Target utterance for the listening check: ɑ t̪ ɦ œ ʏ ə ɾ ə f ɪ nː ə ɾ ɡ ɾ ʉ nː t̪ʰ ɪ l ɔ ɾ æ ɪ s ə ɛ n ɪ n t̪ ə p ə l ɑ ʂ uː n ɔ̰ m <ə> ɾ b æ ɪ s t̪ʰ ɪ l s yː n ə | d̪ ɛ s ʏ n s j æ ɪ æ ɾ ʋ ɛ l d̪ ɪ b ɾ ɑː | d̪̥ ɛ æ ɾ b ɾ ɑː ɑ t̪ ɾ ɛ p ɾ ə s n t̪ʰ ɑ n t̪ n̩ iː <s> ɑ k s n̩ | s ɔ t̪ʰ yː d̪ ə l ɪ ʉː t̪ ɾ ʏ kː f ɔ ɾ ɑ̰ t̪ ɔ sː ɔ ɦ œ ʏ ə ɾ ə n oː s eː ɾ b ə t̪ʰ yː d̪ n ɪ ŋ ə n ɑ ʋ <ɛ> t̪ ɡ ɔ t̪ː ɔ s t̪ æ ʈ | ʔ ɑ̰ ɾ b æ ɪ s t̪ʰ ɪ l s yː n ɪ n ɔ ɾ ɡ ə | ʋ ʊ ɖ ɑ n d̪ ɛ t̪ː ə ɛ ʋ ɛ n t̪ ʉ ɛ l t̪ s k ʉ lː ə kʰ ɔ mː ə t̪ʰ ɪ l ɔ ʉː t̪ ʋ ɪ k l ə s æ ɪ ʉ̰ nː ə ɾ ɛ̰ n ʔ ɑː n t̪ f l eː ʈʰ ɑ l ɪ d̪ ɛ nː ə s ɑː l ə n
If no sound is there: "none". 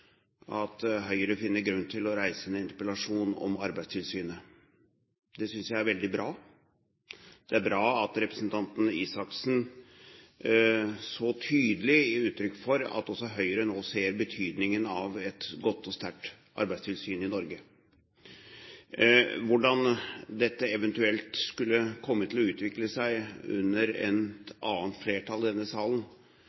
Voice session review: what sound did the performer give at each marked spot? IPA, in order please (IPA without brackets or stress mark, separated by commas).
ɑ, s, ɛ